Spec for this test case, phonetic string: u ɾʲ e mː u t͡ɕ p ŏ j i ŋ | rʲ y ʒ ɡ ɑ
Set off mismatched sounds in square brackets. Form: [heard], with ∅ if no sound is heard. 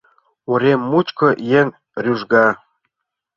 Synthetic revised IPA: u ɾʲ e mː u t͡ɕ [k] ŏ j [e] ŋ | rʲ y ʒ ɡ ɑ